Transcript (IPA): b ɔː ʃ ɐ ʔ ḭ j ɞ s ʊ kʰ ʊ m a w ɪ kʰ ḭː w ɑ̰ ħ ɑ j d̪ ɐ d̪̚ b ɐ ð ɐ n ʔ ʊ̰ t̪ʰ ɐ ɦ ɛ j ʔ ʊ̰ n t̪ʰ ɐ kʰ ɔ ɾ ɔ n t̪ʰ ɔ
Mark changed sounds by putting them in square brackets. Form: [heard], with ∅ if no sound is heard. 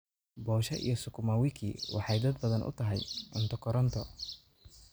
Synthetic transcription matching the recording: b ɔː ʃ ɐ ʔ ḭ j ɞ s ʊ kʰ ʊ m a w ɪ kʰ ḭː w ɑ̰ ħ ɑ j d̪ ɐ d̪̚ b ɐ ð ɐ n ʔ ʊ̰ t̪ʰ ɐ ɦ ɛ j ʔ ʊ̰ n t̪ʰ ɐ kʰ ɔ ɾ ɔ n t̪ʰ ɔ